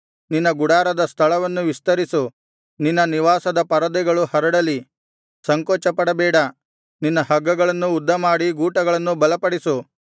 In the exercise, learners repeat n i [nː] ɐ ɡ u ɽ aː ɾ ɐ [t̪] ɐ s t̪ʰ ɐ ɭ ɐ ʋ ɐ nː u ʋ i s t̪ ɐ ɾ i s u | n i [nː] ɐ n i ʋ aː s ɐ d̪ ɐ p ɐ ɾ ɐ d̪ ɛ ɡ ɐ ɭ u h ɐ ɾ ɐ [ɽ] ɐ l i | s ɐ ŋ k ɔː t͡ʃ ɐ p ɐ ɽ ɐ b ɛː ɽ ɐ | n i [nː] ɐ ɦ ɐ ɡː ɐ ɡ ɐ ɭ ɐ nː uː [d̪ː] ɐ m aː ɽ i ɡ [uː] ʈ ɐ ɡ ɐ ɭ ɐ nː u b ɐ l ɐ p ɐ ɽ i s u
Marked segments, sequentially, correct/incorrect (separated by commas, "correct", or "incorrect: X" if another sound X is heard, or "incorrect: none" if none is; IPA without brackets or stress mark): correct, incorrect: d̪, correct, correct, correct, correct, correct